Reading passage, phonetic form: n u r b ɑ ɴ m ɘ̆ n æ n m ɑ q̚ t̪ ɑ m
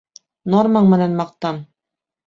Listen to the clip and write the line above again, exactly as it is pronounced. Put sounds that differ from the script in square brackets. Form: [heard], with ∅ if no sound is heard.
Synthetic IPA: n [o] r [m] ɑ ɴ m ɘ̆ n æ n m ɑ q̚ t̪ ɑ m